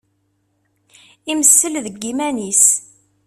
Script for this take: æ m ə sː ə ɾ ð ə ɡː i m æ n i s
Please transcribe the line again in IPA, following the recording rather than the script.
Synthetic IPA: i m ə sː ə l ð ə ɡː i m æ n i s